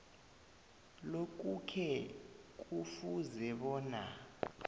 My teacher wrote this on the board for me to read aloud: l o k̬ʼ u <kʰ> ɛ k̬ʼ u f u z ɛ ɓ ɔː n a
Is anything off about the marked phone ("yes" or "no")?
no